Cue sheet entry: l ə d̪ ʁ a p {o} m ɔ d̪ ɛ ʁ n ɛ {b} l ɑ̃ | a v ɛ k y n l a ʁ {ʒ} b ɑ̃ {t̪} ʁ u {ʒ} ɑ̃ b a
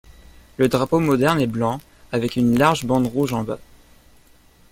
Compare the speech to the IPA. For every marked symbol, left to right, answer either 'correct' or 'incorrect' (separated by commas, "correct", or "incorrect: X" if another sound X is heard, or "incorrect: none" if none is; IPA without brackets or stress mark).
correct, correct, correct, incorrect: d̪, correct